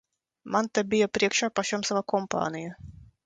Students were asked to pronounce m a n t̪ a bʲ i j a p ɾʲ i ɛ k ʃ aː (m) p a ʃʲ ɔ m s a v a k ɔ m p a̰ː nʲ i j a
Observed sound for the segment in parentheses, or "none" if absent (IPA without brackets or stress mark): none